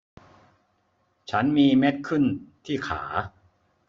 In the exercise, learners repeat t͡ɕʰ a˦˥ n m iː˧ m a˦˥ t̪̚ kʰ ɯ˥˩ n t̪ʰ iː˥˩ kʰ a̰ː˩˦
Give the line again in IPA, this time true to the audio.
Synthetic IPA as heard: t͡ɕʰ a˦˥ n m iː˧ m e˦˥ t̪̚ kʰ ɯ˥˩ n t̪ʰ iː˥˩ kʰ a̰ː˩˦